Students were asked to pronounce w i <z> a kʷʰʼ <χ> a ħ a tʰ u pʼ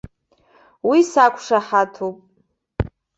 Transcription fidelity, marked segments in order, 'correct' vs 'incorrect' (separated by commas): incorrect, incorrect